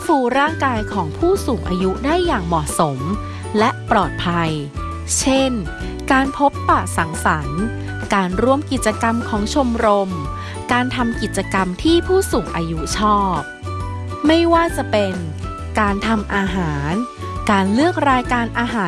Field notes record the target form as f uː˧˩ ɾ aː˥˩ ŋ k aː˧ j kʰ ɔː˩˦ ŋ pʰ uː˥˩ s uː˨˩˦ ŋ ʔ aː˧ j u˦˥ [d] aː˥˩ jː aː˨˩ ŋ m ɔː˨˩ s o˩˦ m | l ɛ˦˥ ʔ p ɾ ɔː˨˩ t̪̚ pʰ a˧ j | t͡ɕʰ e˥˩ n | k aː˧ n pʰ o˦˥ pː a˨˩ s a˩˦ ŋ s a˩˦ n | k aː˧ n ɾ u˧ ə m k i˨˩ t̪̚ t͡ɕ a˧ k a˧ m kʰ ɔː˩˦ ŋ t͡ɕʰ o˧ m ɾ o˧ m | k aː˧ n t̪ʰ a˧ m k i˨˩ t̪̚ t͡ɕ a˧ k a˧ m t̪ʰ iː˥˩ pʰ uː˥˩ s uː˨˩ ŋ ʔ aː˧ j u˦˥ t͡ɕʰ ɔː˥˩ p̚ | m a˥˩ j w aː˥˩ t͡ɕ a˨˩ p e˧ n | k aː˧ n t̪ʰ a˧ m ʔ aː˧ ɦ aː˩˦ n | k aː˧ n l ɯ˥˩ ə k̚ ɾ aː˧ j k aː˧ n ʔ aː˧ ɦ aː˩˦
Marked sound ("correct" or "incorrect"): correct